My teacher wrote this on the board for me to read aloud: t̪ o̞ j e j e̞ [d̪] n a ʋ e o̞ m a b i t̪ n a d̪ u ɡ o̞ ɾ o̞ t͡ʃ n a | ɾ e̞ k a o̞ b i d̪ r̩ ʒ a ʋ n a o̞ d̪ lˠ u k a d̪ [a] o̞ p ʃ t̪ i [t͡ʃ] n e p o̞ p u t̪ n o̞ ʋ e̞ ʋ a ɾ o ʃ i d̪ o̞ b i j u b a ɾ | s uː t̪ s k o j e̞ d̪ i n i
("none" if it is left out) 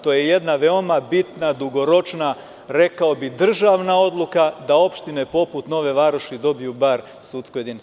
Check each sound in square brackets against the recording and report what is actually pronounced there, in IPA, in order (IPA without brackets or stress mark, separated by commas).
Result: d̪, a, none